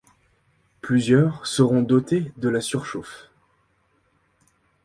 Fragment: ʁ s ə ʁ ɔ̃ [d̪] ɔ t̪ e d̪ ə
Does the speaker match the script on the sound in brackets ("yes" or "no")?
yes